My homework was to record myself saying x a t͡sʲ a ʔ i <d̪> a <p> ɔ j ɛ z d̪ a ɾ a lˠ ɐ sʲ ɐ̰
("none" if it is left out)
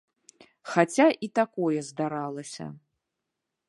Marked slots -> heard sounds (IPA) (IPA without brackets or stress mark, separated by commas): t̪, k